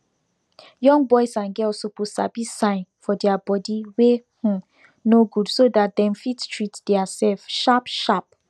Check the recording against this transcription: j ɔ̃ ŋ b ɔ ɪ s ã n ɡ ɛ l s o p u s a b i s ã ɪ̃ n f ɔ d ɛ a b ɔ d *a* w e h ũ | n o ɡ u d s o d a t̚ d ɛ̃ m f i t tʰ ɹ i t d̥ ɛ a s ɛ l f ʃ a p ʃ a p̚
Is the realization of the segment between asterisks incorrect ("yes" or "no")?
yes